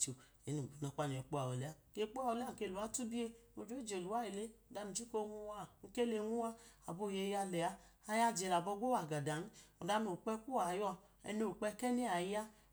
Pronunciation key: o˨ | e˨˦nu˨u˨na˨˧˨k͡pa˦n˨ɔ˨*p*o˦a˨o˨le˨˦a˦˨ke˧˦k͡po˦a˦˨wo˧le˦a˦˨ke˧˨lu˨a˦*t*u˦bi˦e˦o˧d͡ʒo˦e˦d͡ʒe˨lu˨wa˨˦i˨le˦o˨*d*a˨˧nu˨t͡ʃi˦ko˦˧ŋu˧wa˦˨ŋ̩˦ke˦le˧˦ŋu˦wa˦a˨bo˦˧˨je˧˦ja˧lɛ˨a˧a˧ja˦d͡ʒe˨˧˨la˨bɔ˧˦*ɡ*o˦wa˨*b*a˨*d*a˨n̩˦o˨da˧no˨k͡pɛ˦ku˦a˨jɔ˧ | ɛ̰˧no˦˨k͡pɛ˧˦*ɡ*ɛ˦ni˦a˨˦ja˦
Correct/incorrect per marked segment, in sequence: incorrect: k͡p, correct, correct, correct, incorrect: ɡ, correct, incorrect: k

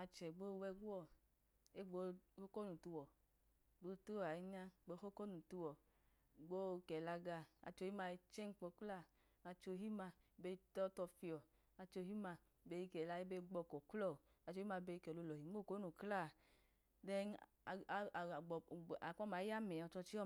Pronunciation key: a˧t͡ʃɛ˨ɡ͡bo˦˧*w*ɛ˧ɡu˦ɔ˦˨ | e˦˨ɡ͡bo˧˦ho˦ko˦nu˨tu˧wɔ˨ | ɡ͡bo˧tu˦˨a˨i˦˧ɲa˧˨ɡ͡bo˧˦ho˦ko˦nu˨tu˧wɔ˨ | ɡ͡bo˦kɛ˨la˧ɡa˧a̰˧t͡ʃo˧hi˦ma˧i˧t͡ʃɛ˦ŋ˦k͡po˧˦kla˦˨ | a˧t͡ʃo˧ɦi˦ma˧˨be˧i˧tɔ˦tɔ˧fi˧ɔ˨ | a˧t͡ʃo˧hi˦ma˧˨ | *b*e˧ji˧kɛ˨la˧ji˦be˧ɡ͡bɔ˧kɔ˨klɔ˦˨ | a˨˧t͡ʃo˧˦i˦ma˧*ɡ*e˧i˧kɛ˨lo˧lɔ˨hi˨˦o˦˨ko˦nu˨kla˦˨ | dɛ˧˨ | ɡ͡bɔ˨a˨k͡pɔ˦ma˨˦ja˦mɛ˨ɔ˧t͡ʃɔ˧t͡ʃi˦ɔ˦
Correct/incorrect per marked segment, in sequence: correct, correct, incorrect: b

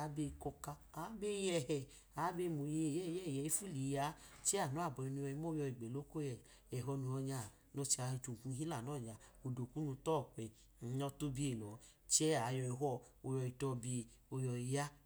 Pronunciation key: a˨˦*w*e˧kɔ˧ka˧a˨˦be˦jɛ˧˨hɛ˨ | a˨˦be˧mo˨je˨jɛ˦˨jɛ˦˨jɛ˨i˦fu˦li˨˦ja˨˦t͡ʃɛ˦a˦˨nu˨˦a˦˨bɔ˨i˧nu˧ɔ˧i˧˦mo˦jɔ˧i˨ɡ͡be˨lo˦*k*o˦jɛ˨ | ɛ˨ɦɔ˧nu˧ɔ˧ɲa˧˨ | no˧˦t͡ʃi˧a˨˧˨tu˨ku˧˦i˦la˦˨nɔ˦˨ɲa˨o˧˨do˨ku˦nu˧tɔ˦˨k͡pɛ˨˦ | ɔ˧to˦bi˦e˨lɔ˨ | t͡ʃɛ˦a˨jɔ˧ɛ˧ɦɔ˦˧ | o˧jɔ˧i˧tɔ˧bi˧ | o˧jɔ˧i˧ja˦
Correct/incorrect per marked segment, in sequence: incorrect: b, correct

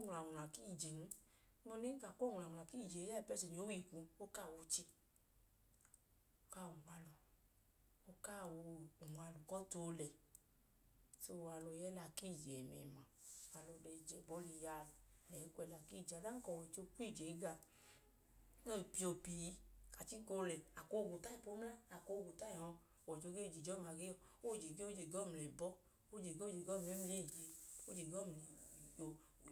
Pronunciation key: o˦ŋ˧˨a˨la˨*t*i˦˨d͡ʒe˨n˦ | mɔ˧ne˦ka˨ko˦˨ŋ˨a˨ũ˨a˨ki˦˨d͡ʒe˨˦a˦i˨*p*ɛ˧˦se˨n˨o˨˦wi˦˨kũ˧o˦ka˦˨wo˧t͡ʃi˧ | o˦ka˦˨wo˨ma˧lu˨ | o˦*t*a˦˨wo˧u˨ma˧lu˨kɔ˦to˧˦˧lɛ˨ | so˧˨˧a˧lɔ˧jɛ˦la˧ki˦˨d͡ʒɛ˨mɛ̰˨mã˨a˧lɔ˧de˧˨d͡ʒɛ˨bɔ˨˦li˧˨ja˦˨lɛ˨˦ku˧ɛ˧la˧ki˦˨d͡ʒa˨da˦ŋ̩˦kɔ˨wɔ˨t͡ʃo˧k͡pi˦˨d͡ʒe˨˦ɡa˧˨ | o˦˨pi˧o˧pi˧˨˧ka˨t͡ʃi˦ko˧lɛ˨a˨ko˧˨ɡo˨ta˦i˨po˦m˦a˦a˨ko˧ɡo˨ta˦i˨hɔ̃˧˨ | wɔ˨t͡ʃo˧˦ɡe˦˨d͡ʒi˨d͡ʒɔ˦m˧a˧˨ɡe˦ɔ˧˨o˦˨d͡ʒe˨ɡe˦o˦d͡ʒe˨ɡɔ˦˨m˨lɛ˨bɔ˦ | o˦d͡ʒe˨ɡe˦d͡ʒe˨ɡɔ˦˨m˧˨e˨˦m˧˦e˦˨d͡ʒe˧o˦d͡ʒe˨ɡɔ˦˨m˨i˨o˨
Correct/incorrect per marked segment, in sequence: incorrect: k, correct, incorrect: k

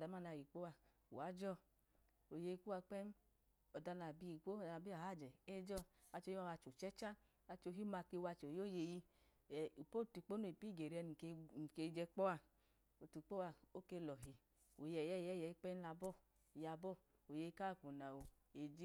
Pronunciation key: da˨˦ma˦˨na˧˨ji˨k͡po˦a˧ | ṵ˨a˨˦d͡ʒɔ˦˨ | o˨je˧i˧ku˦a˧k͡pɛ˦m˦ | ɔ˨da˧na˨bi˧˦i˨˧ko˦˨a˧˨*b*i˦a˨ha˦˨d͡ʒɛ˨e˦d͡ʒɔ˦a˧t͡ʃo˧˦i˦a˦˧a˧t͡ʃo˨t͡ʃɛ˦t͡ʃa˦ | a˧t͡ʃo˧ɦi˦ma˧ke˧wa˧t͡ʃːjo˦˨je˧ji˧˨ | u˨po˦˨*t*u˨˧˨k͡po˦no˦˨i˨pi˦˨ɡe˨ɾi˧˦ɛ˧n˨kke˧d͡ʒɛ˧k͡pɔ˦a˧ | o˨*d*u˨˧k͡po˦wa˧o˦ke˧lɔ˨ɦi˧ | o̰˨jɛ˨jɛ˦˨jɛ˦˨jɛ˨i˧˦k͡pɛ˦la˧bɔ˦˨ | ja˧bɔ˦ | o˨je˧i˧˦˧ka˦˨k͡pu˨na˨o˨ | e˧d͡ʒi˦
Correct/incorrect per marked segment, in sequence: correct, correct, incorrect: t

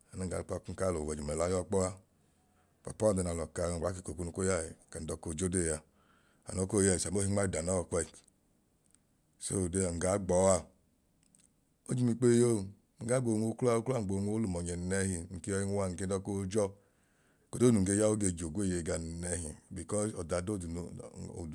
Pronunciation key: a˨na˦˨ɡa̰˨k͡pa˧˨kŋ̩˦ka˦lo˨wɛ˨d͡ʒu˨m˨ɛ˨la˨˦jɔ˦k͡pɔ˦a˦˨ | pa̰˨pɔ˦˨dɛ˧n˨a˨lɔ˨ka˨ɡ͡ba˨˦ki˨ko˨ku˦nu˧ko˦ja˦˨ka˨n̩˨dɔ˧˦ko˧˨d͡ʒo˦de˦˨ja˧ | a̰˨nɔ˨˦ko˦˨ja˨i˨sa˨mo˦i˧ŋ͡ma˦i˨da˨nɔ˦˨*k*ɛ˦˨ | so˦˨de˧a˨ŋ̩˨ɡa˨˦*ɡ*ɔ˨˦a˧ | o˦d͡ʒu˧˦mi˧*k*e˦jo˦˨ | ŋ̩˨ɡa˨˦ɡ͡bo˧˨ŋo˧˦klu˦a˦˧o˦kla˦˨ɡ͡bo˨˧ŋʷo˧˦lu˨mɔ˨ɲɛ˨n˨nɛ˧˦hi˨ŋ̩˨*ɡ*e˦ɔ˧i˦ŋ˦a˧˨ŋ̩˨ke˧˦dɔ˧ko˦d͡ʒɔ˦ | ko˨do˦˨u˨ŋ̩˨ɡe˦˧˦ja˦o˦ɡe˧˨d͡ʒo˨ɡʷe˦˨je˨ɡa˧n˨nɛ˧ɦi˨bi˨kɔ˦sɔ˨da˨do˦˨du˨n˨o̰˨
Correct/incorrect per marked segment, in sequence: correct, incorrect: ɡ͡b, incorrect: k͡p, incorrect: k

